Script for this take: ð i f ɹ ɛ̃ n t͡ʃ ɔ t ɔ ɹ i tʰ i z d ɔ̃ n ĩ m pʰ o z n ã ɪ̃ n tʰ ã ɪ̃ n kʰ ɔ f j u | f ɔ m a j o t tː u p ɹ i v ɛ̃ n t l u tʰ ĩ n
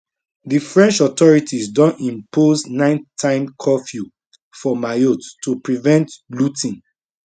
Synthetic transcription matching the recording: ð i f ɹ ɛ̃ n t͡ʃ ɔ t ɔ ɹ i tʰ i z d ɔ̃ n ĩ m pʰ o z n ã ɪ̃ n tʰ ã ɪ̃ m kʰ ɔ f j u | f ɔ m a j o t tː u p ɹ i v ɛ̃ n t l u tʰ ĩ n